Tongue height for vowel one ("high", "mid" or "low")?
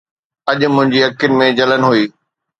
low